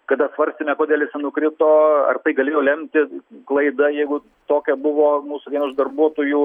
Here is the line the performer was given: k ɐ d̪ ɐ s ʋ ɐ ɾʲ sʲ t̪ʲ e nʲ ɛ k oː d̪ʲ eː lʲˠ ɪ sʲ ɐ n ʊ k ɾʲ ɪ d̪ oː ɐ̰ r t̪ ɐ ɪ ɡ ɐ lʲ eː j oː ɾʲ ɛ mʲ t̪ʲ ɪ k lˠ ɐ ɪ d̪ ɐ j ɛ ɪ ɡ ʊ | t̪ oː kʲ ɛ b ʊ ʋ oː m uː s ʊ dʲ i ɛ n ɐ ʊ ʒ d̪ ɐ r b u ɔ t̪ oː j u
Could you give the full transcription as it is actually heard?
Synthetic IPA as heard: k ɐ d̪ ɐ s ʋ ɐ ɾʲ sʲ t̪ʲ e mʲ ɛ k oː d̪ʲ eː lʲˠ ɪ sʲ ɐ n ʊ k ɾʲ ɪ t̪ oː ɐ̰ r t̪ ɐ ɪ ɡ ɐ lʲ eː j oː lʲ ɛ mʲ t̪ʲ ɪ k lˠ ɐ ɪ d̪ ɐ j ɛ ɪ ɡ ʊ | t̪ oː kʲ ɛ b ʊ ʋ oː m uː s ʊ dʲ i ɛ n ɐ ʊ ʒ d̪ ɐ r b u ɔ t̪ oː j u